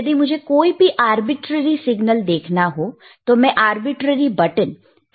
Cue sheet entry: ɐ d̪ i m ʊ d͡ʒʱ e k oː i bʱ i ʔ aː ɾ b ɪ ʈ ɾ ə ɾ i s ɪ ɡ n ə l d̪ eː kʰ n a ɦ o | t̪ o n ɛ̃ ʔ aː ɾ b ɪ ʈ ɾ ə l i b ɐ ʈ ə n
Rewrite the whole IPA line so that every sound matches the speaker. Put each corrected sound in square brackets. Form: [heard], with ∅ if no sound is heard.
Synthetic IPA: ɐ d̪ i m ʊ d͡ʒʱ e k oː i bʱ i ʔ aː ɾ b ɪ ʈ ɾ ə ɾ i s ɪ ɡ n ə l d̪ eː kʰ n a ɦ o | t̪ o [m] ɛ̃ ʔ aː ɾ b ɪ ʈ ɾ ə [ɾ] i b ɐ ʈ ə n